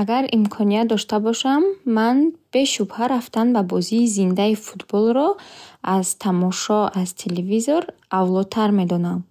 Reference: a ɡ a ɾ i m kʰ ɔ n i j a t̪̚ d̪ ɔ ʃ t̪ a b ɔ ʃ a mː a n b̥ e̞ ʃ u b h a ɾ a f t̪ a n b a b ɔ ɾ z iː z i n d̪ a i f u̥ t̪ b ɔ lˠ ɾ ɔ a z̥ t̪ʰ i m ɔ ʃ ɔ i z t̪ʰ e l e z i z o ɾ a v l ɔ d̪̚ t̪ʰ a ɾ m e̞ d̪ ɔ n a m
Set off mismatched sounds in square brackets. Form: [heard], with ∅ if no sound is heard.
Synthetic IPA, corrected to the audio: a ɡ a ɾ i m kʰ ɔ n i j a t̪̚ d̪ ɔ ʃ t̪ a b ɔ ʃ a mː a n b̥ e̞ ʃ u b h a ɾ a f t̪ a n b a b ɔ [∅] z iː z i n d̪ a i f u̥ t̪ b ɔ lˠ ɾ ɔ a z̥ t̪ʰ [a] m ɔ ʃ ɔ [a] z t̪ʰ e l e [v] i z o ɾ a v l ɔ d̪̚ t̪ʰ a ɾ m e̞ d̪ ɔ n a m